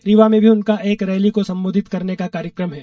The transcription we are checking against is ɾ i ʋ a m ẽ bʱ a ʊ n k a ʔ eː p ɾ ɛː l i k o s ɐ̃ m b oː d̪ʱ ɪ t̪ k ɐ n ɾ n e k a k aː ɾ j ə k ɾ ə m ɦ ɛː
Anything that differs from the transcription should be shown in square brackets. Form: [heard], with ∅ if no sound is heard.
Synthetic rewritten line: ɾ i ʋ a m ẽ bʱ [i] ʊ n k a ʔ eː [k] ɾ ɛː l i k o s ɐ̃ m b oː d̪ʱ ɪ t̪ k ɐ [∅] ɾ n e k a k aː ɾ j ə k ɾ ə m ɦ ɛː